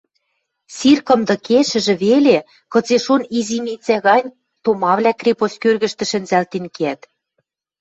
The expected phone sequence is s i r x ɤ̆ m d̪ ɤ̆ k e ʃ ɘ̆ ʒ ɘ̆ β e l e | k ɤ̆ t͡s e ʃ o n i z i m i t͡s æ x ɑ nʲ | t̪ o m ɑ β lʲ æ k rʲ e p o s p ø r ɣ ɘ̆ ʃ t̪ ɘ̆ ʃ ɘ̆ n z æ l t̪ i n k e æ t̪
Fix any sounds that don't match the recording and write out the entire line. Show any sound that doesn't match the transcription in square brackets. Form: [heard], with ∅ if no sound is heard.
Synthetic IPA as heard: s i r [k] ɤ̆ m d̪ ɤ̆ k e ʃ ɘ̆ ʒ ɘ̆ β e l e | k ɤ̆ t͡s e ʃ o n i z i m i t͡s æ [ɣ] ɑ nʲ | t̪ o m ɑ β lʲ æ k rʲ e p o s [k] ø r ɣ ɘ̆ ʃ t̪ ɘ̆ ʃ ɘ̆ n z æ l t̪ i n k e æ t̪

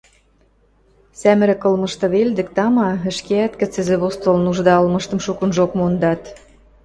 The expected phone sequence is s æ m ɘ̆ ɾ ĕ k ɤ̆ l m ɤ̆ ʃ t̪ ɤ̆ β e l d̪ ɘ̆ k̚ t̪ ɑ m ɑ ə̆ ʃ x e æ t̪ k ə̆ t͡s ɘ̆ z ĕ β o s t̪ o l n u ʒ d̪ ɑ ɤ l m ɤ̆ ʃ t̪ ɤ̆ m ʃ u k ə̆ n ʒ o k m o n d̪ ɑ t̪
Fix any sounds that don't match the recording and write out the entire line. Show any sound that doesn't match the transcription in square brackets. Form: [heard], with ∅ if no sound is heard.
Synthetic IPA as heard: s æ m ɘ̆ ɾ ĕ k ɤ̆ l m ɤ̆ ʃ t̪ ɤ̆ β e l d̪ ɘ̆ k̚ t̪ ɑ m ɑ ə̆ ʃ [k] e æ t̪ k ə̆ t͡s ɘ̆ z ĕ β o s t̪ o l n u ʒ d̪ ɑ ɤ l m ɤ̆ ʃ t̪ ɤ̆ m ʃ u k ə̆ n ʒ o k m o n d̪ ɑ t̪

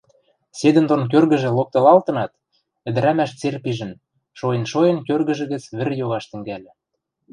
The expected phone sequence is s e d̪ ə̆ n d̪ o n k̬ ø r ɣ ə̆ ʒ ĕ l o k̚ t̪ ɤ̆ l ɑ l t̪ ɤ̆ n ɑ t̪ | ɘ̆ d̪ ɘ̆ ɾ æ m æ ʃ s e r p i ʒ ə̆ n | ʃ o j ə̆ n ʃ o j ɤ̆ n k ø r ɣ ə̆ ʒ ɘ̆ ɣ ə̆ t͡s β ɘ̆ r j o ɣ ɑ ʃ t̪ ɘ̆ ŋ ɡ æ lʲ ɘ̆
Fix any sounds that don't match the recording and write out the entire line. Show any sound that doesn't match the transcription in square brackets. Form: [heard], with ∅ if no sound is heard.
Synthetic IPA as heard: s e d̪ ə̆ n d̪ o n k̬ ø r ɣ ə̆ ʒ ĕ l o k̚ t̪ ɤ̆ l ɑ l t̪ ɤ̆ n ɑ t̪ | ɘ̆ d̪ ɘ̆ ɾ æ m æ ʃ [t͡s] e r p i ʒ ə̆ n | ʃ o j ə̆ n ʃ o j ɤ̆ n k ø r ɣ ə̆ ʒ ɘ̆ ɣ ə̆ t͡s β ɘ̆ r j o ɣ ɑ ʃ t̪ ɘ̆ ŋ ɡ æ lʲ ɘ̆

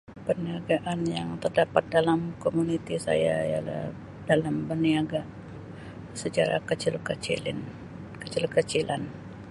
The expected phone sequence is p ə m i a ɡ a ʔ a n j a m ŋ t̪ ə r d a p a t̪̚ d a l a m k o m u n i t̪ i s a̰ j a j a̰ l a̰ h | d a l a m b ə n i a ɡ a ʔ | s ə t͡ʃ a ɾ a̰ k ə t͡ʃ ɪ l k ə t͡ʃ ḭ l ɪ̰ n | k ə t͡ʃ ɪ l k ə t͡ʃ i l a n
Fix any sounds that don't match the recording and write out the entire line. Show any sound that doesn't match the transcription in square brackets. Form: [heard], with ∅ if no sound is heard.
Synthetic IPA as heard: p ə [n] i a ɡ a ʔ a n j a [∅] ŋ t̪ ə r d a p a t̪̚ d a l a m k o m u n i t̪ i s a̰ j a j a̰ l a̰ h | d a l a m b ə n i a ɡ a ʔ | s ə t͡ʃ a ɾ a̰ k ə t͡ʃ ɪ l k ə t͡ʃ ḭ l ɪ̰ n | k ə t͡ʃ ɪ l k ə t͡ʃ i l a n

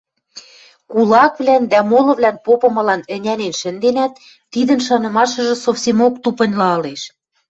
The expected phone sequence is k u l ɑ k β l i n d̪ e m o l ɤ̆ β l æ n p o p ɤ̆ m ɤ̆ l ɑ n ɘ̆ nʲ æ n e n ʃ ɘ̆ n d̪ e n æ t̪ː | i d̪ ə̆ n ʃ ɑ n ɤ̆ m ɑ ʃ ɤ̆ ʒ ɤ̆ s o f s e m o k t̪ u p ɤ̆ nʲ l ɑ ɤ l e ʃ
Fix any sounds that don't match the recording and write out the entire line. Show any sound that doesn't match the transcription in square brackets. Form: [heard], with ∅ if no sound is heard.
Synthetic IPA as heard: k u l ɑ k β l [æ] n d̪ [æ] m o l ɤ̆ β l æ n p o p ɤ̆ m ɤ̆ l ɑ n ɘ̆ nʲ æ n e n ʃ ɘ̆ n d̪ e n æ t̪ː | i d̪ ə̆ n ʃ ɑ n ɤ̆ m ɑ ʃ ɤ̆ ʒ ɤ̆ s o f s e m o k t̪ u p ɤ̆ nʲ l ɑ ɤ l e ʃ

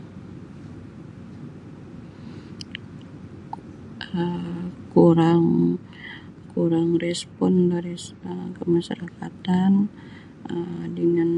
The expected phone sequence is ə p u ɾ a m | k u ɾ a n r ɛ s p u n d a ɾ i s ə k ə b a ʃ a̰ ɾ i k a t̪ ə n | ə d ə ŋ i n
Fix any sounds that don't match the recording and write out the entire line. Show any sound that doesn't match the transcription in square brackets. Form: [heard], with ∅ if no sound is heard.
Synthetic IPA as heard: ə [k] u ɾ a [ŋ] | k u ɾ a [ŋ] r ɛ s p [ɔ] n d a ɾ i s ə k ə [m] a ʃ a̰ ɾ [a] k a t̪ [a] n | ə d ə ŋ [a] n

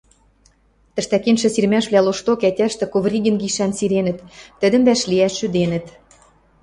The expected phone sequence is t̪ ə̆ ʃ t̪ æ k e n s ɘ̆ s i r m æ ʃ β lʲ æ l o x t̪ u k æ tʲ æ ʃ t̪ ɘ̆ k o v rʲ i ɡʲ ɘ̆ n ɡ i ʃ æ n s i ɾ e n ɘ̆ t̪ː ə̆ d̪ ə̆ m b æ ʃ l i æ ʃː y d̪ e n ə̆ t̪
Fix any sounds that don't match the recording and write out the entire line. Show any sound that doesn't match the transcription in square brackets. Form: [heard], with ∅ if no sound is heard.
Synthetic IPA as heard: t̪ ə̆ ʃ t̪ æ k e n [ʃ] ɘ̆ s i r m æ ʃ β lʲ æ l o [ʃ] t̪ [o] k æ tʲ æ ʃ t̪ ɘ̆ k o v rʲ i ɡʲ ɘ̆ n ɡ i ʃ æ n s i ɾ e n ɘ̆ t̪ː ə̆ d̪ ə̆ m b æ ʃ l i æ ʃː y d̪ e n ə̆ t̪

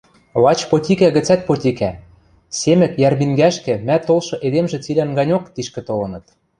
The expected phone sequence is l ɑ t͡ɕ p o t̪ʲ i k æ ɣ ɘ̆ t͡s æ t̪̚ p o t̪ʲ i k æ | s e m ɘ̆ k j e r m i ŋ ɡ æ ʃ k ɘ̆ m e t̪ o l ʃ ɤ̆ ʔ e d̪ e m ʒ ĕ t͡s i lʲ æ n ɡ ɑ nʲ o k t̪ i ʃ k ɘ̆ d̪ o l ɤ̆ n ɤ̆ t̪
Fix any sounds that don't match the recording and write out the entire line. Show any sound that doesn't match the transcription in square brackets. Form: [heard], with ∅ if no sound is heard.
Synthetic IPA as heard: l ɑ t͡ɕ p o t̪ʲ i k æ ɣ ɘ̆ t͡s æ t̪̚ p o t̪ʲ i k æ | s e m ɘ̆ k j [æ] r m i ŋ ɡ æ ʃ k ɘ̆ m [æ] t̪ o l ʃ ɤ̆ ʔ e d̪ e m ʒ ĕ t͡s i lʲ æ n ɡ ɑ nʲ o k t̪ i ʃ k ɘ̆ [t̪] o l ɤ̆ n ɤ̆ t̪

